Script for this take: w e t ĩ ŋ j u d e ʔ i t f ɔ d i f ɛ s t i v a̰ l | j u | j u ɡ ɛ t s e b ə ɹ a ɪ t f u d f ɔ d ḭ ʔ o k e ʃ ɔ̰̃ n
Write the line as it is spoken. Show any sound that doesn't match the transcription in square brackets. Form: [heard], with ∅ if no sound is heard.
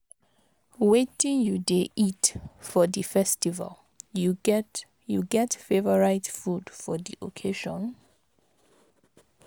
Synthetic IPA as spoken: w e t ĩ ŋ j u d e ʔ i t f ɔ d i f ɛ s t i v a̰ l | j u | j u ɡ ɛ t [f] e [v] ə ɹ a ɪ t f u d f ɔ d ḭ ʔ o [kʰ] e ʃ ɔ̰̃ n